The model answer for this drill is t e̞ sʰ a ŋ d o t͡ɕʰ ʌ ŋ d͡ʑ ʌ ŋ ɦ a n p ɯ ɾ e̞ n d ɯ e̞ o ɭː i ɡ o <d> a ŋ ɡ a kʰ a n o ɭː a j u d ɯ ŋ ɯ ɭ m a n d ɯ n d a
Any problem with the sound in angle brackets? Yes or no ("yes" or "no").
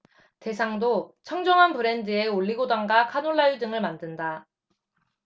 no